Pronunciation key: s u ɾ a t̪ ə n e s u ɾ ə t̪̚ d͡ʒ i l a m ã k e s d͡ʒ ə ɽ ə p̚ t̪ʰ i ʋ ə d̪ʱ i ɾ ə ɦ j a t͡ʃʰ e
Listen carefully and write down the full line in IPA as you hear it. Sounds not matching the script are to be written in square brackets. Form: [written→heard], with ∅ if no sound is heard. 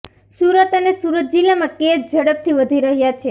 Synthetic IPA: s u ɾ [a→ə] t̪ ə n e s u ɾ ə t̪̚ d͡ʒ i l a m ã k e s d͡ʒ ə ɽ ə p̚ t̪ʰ i ʋ ə d̪ʱ i ɾ ə ɦ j a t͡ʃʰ e